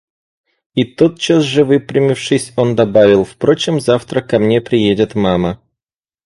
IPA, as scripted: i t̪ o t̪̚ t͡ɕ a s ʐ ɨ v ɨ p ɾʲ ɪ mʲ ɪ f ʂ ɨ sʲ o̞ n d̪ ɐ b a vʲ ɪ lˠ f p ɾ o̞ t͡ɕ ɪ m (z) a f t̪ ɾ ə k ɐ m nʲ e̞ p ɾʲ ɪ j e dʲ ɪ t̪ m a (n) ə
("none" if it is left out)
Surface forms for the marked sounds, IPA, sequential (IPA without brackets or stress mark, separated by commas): z, m